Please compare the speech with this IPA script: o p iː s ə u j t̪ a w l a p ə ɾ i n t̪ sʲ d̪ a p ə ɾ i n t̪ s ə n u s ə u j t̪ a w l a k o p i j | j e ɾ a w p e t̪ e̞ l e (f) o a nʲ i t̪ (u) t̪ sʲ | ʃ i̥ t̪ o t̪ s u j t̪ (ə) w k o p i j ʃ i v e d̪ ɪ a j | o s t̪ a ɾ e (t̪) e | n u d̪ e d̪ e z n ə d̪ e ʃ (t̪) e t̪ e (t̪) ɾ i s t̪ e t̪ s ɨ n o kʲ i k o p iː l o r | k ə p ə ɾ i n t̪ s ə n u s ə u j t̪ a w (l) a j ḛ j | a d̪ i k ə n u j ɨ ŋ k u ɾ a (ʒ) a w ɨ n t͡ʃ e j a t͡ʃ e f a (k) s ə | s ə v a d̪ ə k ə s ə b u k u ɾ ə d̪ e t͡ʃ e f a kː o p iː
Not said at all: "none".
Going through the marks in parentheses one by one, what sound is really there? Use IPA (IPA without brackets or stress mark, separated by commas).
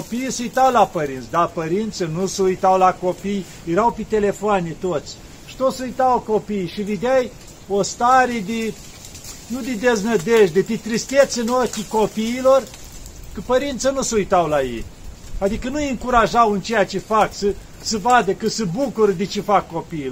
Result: f, o, a, d̪, d̪, t̪, l, ʒ, k